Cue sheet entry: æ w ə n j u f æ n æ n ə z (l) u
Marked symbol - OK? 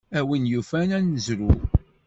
no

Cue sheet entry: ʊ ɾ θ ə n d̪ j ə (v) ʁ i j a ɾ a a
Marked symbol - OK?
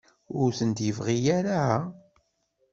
yes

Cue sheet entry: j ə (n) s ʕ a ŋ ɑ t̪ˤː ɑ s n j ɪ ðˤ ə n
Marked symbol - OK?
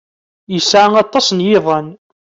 no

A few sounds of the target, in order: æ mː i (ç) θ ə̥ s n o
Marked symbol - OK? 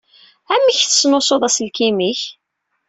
yes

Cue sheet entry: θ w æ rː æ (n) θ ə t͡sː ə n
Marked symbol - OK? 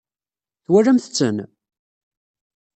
no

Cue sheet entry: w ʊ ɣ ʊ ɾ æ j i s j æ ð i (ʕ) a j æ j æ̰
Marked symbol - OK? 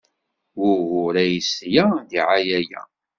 yes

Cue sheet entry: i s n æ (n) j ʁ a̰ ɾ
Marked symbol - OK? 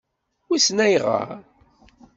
no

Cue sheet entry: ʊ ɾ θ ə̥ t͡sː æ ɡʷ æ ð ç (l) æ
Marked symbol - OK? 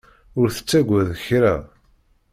no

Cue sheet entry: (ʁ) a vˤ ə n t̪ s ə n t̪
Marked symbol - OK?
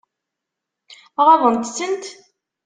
yes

